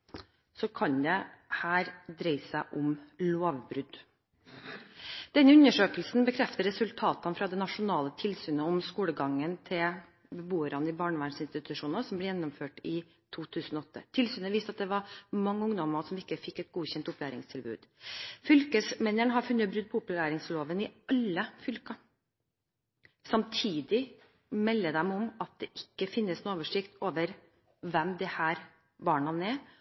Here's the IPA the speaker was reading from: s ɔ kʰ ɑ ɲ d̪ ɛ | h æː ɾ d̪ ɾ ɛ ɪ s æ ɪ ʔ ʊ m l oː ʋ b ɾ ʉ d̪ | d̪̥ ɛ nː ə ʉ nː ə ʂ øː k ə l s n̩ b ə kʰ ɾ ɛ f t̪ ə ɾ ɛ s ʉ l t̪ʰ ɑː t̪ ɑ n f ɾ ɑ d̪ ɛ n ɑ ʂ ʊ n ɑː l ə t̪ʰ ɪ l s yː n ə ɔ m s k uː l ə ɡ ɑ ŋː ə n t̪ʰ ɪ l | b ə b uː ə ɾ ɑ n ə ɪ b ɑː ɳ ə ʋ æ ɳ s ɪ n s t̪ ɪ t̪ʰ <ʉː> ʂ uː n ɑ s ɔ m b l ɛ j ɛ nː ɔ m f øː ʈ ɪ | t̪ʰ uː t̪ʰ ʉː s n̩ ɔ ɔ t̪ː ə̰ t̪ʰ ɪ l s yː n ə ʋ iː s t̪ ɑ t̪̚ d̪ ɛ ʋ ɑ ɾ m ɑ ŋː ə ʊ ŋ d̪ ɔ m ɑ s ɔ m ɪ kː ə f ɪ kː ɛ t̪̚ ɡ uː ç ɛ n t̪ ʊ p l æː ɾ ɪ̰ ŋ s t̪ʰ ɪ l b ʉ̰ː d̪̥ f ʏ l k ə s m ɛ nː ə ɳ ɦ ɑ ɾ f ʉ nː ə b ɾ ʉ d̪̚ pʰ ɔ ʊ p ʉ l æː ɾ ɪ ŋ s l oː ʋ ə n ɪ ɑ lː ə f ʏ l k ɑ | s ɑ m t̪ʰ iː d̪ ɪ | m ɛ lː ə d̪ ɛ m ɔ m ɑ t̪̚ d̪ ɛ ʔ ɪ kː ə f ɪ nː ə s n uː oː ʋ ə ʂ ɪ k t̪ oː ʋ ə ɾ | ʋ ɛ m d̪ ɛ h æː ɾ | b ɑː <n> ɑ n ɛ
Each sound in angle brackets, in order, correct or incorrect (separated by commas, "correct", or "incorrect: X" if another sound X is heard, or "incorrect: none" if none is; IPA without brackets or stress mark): incorrect: ʉ, incorrect: ɳ